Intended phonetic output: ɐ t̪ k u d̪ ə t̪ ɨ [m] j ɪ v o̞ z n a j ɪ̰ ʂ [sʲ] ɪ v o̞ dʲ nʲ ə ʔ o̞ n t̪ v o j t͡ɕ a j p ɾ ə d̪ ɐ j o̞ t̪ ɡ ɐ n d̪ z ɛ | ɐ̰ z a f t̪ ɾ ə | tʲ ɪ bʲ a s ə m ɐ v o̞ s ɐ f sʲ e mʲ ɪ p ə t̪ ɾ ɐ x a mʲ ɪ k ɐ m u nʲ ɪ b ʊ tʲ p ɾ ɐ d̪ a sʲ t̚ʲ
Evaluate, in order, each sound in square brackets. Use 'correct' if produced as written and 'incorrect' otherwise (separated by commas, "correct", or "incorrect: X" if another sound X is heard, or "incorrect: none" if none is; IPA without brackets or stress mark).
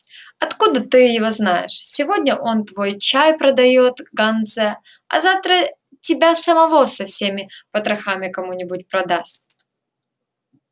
incorrect: none, correct